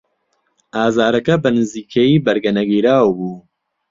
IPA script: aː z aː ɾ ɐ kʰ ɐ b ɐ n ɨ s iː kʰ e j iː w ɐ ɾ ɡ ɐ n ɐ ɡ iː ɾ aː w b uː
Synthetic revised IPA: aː z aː ɾ ɐ k ɐ b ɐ n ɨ z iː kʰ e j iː b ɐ ɾ ɡ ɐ n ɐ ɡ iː ɾ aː w b uː